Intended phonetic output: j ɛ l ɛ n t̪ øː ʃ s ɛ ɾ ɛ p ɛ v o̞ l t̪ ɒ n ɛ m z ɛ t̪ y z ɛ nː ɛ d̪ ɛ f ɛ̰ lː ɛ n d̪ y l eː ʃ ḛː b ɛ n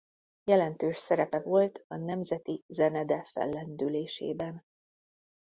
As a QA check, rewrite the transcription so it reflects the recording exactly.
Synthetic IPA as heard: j ɛ l ɛ n t̪ øː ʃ s ɛ ɾ ɛ p ɛ v o̞ l t̪ ɒ n ɛ m z ɛ t̪ i z ɛ n ɛ d̪ ɛ f ɛ̰ lː ɛ n d̪ y l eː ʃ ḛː b ɛ n